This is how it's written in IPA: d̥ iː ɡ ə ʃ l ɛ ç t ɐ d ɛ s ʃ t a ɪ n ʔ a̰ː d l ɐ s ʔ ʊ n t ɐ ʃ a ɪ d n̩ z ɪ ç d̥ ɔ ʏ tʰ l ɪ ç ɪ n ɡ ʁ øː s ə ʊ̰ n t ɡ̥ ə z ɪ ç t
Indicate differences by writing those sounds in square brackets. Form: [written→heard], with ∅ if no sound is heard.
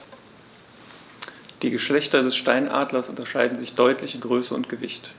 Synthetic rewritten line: d̥ iː ɡ ə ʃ l ɛ ç t ɐ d ɛ s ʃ t a ɪ n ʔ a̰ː d l ɐ s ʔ ʊ n t ɐ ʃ a ɪ d n̩ z ɪ ç d̥ ɔ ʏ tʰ l ɪ ç ɪ n ɡ ʁ øː s ə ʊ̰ n t ɡ̥ ə [z→v] ɪ ç t